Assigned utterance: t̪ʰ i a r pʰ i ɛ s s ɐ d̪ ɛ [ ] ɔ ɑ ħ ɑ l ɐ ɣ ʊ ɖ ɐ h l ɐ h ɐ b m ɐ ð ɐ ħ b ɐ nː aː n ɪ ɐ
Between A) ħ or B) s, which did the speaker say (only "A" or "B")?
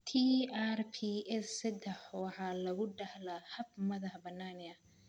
A